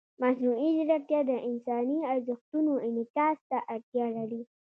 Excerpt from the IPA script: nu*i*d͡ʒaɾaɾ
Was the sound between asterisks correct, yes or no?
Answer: yes